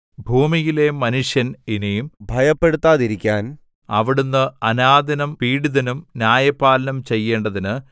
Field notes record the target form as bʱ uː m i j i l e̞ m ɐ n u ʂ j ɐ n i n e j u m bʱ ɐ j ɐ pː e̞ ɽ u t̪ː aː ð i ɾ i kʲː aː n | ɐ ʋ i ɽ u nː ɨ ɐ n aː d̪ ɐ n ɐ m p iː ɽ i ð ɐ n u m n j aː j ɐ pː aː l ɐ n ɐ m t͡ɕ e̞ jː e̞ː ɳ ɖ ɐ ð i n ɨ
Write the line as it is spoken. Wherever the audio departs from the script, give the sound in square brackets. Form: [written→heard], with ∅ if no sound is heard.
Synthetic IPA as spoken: bʱ uː m i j i l e̞ m ɐ n u ʂ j ɐ n i n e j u m bʱ ɐ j ɐ pː e̞ ɽ u t̪ː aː ð i ɾ i kʲː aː n | ɐ ʋ i ɽ u nː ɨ ɐ n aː d̪ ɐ n ɐ m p iː ɽ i ð ɐ n u m n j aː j ɐ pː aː l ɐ n ɐ m t͡ɕ e̞ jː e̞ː ɳ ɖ ɐ ð i n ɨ